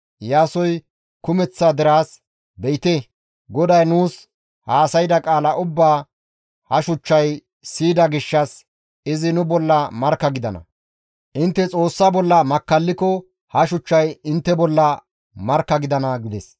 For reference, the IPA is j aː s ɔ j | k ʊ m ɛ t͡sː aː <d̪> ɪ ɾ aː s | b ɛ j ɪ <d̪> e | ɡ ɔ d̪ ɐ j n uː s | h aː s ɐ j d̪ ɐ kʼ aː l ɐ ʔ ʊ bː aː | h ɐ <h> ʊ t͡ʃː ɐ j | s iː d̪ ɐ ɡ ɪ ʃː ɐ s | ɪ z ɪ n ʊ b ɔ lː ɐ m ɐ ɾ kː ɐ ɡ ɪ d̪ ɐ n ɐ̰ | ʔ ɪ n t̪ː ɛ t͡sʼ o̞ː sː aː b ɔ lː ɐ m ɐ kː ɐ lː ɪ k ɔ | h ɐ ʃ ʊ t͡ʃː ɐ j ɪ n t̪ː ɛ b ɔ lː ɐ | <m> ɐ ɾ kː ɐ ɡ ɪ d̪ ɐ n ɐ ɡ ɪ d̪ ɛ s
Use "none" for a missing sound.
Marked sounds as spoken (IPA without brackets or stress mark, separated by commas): d̪, t̪, ʃ, m